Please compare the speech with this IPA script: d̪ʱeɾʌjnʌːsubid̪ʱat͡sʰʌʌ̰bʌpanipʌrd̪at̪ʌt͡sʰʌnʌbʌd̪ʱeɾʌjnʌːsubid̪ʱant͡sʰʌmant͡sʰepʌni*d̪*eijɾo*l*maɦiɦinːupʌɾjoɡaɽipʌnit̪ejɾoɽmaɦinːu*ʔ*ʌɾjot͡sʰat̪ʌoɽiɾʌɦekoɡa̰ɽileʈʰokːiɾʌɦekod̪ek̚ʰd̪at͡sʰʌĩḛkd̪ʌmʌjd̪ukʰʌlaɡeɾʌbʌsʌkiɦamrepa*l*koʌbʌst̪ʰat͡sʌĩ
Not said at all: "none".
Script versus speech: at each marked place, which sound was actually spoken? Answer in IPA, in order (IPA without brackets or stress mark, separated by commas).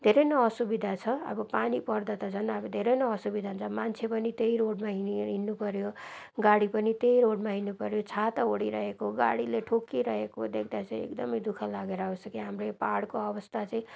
t̪, ɽ, p, ɽ